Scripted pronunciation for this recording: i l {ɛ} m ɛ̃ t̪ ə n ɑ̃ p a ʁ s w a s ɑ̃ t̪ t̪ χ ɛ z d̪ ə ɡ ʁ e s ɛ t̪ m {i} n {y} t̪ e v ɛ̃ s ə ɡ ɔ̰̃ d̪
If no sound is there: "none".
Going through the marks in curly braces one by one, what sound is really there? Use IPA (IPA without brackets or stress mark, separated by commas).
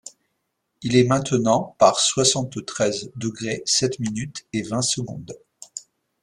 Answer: ɛ, i, y